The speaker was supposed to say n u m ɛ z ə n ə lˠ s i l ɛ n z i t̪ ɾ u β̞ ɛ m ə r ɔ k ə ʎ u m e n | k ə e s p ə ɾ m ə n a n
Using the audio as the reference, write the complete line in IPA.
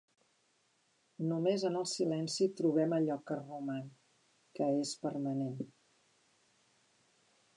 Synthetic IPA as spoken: n u m e z ə n ə lˠ s i l ɛ n s i t̪ ɾ u β̞ ɛ m ə ʎ ɔ k ə r u m a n | k ə e s p ə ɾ m ə n e n